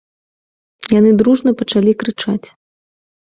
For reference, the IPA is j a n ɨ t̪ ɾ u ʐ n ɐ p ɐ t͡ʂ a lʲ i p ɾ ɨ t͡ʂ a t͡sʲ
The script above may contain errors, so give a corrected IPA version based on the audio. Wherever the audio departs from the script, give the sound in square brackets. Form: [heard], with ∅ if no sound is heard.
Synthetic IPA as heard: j a n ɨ [d̪] ɾ u ʐ n ɐ p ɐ t͡ʂ a lʲ i [k] ɾ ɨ t͡ʂ a t͡sʲ

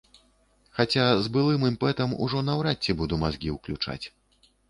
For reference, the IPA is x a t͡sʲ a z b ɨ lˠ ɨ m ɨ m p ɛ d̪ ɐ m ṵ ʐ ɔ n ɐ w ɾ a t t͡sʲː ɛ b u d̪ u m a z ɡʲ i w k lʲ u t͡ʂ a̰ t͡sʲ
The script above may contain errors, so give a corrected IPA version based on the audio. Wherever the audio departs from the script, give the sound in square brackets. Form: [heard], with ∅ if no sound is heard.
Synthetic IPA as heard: x a t͡sʲ a z b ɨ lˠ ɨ m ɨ m p ɛ [t̪] ɐ m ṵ ʐ ɔ n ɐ w ɾ a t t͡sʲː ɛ b u d̪ u m a z ɡʲ i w k lʲ u t͡ʂ a̰ t͡sʲ

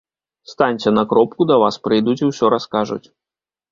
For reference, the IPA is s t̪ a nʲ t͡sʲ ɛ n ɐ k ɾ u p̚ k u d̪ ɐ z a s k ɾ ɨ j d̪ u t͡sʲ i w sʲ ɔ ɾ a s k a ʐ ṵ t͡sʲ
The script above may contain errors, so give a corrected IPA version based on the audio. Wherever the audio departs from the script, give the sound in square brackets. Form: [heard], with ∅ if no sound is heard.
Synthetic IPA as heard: s t̪ a nʲ t͡sʲ ɛ n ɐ k ɾ [ɔ] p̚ k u d̪ ɐ [v] a s [p] ɾ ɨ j d̪ u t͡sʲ i w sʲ ɔ ɾ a s k a ʐ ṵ t͡sʲ

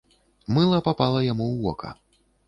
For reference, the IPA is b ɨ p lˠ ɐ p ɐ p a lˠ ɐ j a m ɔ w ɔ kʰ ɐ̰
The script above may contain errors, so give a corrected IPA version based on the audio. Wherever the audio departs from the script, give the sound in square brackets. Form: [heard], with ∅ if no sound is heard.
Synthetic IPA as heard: [m] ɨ [∅] lˠ ɐ p [a] p a lˠ ɐ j a m [u] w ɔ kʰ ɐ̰

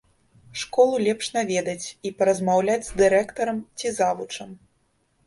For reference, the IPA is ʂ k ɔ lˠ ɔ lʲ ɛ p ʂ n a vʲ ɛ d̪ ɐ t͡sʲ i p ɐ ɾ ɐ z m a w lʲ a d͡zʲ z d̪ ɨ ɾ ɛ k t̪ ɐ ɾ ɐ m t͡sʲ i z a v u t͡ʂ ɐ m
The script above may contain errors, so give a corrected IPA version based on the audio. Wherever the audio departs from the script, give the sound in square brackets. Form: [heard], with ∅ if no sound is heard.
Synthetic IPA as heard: ʂ k ɔ lˠ [u] lʲ ɛ p ʂ n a vʲ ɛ d̪ ɐ t͡sʲ i p ɐ ɾ ɐ z m a w lʲ a d͡zʲ z d̪ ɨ ɾ ɛ k t̪ ɐ ɾ ɐ m t͡sʲ i z a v u t͡ʂ ɐ m

